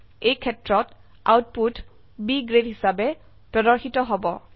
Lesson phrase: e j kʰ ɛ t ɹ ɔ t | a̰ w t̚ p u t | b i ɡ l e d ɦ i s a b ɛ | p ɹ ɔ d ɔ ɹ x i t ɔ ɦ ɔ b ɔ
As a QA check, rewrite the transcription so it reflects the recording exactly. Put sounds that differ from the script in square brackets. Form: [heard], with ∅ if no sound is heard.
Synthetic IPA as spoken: e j kʰ ɛ t ɹ ɔ t | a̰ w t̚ p u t | b i ɡ [ɹ] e d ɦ i s a b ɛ | p ɹ ɔ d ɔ ɹ x i t ɔ ɦ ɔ b ɔ